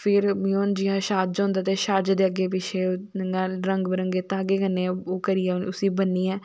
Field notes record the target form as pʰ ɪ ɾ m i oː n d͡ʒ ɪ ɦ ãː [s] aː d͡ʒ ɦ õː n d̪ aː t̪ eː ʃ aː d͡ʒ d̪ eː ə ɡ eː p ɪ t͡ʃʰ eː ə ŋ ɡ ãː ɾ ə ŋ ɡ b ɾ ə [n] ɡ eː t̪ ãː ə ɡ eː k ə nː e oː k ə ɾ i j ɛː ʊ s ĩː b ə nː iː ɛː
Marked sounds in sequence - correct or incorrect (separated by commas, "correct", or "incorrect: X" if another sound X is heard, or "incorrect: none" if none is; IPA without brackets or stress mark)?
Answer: incorrect: ʃ, incorrect: ŋ